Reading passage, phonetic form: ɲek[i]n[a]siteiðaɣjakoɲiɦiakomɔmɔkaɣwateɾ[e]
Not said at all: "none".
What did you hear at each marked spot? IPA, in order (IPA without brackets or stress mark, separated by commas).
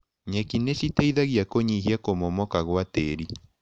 i, e, i